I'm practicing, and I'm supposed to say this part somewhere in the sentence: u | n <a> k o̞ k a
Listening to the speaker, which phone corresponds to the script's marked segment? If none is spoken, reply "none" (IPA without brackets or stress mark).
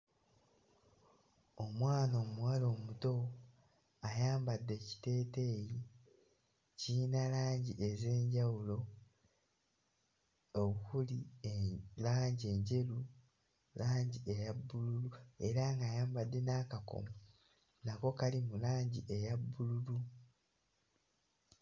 a